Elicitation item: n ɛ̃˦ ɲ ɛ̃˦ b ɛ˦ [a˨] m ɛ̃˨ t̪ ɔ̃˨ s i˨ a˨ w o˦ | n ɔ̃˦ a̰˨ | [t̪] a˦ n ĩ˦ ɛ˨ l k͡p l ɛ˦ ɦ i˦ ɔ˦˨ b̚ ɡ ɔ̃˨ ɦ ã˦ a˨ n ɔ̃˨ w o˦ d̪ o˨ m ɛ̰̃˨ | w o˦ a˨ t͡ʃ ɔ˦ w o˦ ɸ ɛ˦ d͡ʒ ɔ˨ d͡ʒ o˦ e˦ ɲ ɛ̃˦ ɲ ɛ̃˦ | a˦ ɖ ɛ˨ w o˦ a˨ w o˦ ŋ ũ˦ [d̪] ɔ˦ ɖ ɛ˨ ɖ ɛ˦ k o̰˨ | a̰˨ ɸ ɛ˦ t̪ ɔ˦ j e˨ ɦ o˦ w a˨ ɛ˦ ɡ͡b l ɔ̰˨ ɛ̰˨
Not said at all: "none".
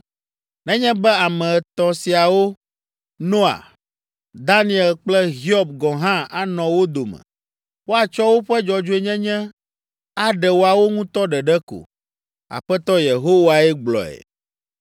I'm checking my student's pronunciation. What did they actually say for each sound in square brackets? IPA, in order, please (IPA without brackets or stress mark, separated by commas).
a˨, d̪, t̪